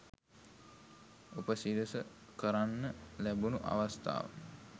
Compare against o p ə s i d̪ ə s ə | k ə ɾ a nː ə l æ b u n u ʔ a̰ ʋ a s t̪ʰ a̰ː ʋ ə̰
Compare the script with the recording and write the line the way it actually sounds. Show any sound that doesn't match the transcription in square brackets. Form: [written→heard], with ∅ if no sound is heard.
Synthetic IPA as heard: o p ə s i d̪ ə s ə | k ə ɾ a nː ə l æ b u n u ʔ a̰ ʋ a s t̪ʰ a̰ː ʋ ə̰